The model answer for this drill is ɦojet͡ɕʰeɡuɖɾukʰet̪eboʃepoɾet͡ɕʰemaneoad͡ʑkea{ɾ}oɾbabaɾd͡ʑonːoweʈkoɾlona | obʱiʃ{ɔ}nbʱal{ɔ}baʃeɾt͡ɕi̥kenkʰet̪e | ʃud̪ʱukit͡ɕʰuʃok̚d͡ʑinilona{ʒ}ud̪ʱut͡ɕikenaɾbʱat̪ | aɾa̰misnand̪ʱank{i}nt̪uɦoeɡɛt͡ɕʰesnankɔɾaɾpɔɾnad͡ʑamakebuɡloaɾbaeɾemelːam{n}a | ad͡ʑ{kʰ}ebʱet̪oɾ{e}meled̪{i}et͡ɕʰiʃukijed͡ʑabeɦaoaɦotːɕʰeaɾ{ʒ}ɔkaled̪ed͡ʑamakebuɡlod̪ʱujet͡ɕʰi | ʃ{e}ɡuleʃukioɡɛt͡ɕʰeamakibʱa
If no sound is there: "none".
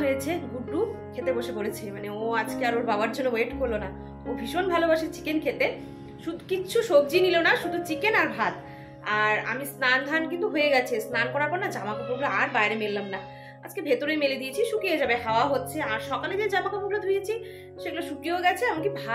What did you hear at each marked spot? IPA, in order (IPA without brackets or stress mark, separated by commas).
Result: ɾ, o, o, ʃ, i, n, k, e, i, ʃ, e